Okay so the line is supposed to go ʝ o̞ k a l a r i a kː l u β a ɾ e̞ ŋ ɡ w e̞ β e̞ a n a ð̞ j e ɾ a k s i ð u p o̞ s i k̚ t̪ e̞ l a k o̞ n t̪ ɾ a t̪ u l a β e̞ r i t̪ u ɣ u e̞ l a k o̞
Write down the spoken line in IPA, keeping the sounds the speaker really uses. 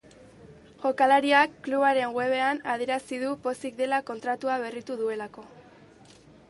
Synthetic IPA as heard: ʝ o̞ k a l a ɾ i a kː l u β a ɾ e̞ ŋ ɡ w e̞ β e̞ a n a ð̞ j e ɾ a s i ð u p o̞ s i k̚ d̪ e̞ l a k o̞ n t̪ ɾ a t̪ u a β e̞ r i t̪ u ð u e̞ l a k o̞